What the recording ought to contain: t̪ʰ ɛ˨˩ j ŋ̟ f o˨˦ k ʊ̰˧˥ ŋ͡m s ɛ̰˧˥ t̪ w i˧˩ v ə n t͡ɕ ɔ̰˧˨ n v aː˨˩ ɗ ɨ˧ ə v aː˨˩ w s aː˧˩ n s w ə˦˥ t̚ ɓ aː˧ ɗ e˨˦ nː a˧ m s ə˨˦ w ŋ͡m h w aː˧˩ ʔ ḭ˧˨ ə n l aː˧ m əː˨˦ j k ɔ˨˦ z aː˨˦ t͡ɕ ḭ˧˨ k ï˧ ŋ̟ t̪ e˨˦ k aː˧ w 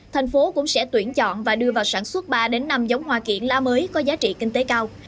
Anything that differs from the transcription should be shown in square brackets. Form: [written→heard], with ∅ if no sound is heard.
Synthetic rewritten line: t̪ʰ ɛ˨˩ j ŋ̟ f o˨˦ k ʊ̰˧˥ ŋ͡m s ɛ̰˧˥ t̪ w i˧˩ [v→∅] ə n t͡ɕ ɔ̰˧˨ n v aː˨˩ ɗ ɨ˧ ə v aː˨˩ w s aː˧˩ n s w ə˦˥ t̚ ɓ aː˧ ɗ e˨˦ nː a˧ m [s→z] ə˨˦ w ŋ͡m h w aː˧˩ [ʔ→k] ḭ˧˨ ə n l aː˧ m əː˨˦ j k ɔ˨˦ z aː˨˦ t͡ɕ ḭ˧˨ k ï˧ ŋ̟ t̪ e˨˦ k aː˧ w